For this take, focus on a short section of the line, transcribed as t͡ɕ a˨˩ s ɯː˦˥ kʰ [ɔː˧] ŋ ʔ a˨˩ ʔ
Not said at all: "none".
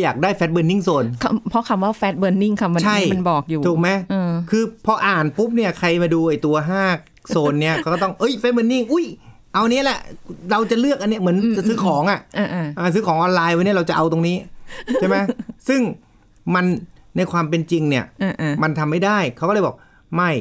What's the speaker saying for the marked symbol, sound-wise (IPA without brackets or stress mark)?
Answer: ɔː˩˦